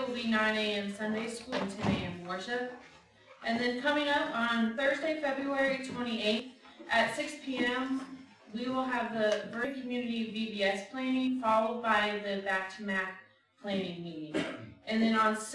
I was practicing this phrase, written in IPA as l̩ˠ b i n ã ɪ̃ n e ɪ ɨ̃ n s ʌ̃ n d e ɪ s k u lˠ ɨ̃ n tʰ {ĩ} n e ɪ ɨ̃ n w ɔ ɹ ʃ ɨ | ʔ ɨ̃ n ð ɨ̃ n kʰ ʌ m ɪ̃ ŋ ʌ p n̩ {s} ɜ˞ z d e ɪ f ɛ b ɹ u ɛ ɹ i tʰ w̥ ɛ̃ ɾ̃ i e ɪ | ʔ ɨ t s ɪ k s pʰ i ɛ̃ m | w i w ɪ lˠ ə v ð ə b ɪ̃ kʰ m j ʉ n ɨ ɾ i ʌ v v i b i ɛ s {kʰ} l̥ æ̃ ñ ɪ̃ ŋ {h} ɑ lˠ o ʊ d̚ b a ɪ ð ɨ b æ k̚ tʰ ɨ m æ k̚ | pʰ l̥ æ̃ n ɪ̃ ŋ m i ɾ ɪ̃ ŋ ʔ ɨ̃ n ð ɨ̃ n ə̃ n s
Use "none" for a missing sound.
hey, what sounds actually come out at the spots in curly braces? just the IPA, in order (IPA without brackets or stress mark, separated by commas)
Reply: ɛ̃, θ, pʰ, f